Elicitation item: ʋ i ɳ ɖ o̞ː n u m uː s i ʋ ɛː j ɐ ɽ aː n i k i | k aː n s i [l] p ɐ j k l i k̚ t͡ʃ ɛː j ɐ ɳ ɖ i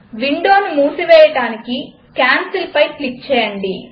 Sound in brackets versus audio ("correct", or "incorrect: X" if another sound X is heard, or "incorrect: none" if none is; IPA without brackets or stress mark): correct